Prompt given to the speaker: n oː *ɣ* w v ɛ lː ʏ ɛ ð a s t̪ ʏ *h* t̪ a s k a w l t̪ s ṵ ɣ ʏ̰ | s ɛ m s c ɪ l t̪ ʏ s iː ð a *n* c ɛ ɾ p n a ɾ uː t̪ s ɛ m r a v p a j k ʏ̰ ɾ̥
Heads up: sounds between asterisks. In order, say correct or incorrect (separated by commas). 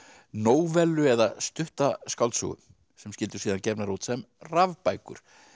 incorrect, correct, correct